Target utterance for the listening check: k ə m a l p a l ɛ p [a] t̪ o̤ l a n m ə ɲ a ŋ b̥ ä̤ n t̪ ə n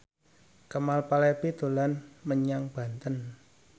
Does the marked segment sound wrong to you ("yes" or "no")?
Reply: yes